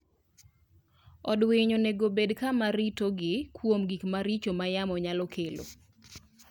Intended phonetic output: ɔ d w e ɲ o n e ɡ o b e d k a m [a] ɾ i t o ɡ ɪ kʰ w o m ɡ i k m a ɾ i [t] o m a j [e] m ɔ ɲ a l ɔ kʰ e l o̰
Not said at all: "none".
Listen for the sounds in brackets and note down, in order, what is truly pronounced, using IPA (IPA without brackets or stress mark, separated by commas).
a, t͡ʃ, a